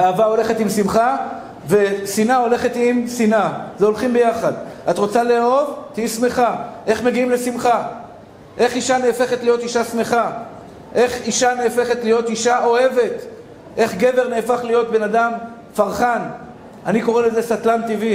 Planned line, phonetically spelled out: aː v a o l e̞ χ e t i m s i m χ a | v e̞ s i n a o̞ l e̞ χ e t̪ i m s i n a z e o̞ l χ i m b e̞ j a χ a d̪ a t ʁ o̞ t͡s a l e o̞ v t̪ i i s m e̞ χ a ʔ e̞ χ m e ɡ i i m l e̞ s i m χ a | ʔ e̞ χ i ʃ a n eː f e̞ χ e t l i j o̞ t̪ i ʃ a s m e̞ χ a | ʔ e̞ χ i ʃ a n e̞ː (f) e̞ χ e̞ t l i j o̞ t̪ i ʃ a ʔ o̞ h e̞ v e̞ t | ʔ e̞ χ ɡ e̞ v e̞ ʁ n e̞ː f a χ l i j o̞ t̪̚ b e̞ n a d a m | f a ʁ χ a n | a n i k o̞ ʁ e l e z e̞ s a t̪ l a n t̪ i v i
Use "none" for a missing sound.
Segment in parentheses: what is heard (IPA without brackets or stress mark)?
f